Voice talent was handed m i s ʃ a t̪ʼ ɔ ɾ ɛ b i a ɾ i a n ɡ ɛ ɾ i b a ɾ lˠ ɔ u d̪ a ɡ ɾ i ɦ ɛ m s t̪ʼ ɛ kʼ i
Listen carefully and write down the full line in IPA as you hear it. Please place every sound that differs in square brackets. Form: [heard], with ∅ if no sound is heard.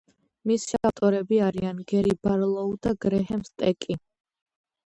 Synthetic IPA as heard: m i s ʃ a t̪ʼ ɔ ɾ ɛ b i a ɾ i a n ɡ ɛ ɾ i b a ɾ lˠ ɔ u d̪ a ɡ ɾ [ɛ] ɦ ɛ m s t̪ʼ ɛ kʼ i